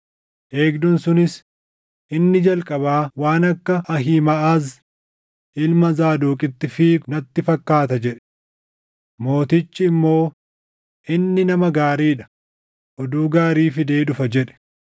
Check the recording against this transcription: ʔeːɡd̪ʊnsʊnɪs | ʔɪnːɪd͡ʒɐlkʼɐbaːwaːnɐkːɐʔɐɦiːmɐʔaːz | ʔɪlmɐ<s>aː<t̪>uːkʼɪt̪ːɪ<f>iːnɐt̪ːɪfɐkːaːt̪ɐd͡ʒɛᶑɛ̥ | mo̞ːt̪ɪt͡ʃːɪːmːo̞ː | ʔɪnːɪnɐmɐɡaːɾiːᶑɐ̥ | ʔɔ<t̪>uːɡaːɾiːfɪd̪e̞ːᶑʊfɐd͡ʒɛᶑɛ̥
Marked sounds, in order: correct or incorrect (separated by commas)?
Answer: incorrect, incorrect, correct, incorrect